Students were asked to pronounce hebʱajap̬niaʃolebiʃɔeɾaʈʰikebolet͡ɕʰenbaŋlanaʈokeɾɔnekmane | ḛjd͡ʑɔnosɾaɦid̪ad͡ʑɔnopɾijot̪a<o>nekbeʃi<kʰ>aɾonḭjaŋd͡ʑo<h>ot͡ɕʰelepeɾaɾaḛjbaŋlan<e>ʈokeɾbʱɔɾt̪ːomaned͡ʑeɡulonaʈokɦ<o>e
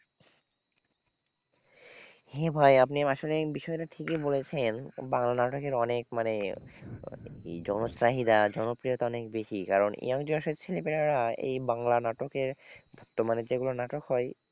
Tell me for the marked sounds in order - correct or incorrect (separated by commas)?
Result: incorrect, incorrect, incorrect, incorrect, incorrect